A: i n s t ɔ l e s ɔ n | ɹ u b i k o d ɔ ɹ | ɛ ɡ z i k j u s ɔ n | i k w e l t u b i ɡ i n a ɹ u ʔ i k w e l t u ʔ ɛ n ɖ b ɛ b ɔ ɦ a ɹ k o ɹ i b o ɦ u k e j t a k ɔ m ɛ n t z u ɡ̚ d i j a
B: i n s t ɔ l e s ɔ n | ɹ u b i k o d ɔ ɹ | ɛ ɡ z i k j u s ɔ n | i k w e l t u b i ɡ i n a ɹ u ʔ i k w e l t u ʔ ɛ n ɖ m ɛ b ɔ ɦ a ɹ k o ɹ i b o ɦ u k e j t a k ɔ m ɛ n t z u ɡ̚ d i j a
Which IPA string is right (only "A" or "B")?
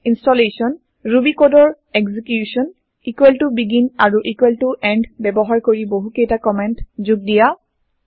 A